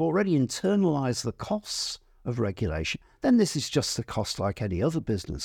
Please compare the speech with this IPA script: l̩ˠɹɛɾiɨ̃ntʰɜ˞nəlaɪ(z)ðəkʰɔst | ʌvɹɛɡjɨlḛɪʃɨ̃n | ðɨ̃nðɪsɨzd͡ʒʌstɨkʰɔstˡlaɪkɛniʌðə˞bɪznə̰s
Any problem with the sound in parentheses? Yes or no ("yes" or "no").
no